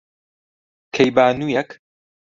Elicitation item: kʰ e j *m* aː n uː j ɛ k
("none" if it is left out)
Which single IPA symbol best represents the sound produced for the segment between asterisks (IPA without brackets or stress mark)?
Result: b